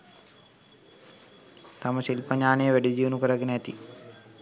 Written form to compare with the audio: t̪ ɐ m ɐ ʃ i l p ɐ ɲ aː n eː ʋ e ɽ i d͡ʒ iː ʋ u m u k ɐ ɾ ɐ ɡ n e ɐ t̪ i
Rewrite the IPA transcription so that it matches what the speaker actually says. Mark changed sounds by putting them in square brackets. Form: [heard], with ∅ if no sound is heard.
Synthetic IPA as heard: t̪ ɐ m ɐ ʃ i l p ɐ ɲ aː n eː ʋ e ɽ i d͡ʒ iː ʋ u [n] u k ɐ ɾ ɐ ɡ n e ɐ t̪ i